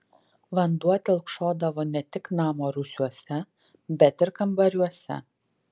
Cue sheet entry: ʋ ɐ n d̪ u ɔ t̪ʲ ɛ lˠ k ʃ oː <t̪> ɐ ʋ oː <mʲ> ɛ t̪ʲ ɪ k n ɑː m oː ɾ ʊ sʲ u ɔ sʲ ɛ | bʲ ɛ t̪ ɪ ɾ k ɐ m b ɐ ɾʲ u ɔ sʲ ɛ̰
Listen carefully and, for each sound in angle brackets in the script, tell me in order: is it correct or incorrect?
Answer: incorrect, incorrect

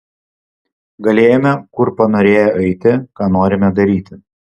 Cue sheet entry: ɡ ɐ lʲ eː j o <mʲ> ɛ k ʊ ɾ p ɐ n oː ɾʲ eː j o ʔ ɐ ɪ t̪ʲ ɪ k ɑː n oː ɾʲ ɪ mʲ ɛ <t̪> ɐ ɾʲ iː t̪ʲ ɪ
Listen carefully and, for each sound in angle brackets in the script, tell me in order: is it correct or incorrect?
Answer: correct, incorrect

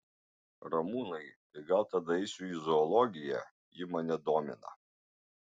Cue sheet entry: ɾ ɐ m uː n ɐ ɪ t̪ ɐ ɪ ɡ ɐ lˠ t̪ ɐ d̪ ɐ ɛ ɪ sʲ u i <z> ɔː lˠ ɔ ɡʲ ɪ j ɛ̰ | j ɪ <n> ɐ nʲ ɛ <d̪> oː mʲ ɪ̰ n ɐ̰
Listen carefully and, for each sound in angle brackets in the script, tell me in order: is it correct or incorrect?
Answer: correct, incorrect, correct

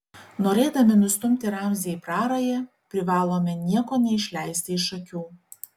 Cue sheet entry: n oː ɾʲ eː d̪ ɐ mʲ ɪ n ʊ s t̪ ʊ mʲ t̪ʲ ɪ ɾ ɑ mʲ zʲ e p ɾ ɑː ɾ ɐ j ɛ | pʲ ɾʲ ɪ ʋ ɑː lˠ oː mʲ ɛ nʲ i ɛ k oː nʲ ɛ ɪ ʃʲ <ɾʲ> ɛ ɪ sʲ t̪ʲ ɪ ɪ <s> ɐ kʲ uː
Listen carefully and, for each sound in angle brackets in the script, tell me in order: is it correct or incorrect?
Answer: incorrect, incorrect

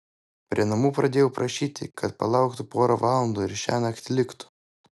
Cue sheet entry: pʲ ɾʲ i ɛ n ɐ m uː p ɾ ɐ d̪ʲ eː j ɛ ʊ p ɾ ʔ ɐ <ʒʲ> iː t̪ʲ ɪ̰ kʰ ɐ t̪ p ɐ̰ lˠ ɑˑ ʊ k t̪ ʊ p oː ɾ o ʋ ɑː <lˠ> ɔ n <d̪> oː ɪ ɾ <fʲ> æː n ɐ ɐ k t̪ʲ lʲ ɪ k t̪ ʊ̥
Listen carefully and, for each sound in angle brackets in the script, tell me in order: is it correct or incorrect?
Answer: incorrect, correct, correct, incorrect

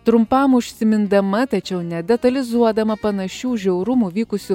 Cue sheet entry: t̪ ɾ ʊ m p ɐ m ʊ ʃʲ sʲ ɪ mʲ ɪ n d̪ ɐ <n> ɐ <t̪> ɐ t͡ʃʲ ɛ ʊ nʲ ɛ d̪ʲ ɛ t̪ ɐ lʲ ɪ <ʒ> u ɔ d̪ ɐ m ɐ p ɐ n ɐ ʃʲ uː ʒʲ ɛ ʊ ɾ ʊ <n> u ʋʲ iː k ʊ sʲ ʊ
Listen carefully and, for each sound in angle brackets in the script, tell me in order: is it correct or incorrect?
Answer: incorrect, correct, incorrect, incorrect

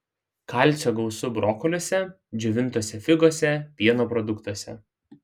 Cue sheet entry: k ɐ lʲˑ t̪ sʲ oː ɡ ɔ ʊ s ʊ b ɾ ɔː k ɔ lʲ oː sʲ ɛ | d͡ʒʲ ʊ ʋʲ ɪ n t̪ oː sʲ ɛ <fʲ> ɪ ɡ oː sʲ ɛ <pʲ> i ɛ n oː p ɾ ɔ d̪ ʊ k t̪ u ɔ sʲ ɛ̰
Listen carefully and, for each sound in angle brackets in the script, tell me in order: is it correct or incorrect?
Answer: correct, correct

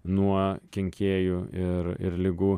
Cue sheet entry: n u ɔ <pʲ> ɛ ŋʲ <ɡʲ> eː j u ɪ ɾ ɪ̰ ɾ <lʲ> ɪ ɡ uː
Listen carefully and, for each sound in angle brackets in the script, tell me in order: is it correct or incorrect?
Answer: incorrect, incorrect, correct

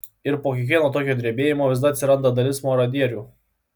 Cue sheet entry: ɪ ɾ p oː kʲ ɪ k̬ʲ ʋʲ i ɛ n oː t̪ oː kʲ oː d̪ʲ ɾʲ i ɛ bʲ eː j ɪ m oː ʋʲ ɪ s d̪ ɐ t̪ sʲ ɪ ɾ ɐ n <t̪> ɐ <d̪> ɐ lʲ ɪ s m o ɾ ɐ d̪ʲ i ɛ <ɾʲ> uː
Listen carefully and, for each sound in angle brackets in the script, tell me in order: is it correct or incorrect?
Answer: incorrect, correct, correct

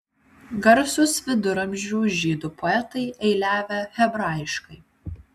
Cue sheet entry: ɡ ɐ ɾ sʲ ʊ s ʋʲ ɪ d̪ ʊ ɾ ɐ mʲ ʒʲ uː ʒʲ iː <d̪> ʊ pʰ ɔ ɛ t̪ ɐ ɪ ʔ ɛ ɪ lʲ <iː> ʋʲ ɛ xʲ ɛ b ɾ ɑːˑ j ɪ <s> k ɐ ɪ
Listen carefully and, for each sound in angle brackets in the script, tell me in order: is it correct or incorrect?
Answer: correct, incorrect, incorrect

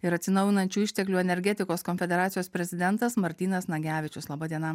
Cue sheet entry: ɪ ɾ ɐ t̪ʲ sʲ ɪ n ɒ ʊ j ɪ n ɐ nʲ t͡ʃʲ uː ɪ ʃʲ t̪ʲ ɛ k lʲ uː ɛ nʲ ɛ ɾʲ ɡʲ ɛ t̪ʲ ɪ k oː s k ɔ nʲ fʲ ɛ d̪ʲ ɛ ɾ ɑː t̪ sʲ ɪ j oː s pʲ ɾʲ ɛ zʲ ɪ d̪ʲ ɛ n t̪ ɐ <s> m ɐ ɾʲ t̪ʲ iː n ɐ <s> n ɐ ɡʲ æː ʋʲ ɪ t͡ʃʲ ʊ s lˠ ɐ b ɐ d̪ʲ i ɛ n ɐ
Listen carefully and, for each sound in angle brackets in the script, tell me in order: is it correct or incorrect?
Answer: correct, correct

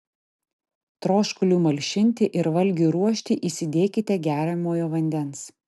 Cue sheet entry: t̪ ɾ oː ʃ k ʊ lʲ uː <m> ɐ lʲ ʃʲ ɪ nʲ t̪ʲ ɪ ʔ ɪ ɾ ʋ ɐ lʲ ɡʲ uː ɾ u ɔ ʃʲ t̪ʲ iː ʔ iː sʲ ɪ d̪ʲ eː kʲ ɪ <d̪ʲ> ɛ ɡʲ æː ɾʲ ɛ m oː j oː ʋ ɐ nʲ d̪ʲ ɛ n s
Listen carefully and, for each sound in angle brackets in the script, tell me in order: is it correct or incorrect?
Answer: correct, incorrect

